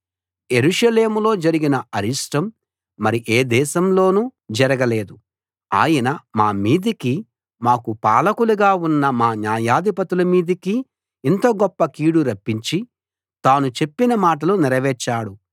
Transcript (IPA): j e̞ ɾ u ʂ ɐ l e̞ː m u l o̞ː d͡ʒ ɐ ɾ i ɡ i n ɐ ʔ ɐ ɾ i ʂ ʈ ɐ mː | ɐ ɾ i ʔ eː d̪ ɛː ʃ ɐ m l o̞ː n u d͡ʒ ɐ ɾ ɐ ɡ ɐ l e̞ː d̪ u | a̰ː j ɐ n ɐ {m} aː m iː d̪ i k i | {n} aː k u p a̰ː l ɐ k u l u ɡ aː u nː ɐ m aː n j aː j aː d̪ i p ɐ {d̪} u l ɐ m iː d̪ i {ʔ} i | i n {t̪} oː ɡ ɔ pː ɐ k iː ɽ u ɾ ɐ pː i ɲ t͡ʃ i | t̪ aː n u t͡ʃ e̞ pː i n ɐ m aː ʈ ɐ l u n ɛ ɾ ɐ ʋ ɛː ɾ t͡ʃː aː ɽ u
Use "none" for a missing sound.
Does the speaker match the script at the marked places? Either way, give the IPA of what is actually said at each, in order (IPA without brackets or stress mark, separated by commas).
m, m, t̪, k, t̪